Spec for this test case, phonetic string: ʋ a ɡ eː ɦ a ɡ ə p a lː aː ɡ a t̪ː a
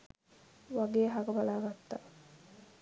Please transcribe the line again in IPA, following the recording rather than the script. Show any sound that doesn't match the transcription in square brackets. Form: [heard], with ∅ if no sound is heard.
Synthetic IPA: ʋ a ɡ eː ɦ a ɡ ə [b] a [l] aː ɡ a t̪ː a